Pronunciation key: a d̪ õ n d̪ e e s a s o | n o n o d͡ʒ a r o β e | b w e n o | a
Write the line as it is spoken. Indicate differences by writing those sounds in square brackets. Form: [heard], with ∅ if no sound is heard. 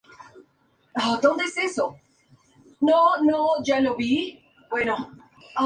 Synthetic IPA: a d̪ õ n d̪ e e s [e] s o | n o n o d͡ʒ a [l] o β [i] | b w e n o | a